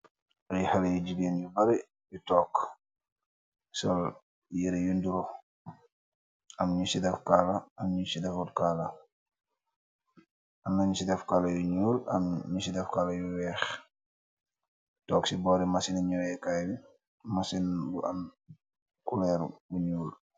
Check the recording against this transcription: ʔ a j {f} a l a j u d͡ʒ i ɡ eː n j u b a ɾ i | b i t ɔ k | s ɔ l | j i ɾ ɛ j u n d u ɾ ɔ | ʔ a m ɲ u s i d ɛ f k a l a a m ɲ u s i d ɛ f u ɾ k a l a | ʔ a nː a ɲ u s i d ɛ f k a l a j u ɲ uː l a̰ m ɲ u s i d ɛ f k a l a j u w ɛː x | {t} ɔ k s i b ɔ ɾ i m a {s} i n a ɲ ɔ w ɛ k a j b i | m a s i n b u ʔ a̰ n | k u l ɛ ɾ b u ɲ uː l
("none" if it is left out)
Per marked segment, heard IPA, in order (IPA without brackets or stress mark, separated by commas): h, t, s